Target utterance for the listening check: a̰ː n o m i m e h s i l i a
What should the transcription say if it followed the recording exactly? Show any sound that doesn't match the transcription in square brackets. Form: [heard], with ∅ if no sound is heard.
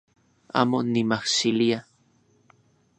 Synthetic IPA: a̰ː [m] o [n] i m [a] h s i l i a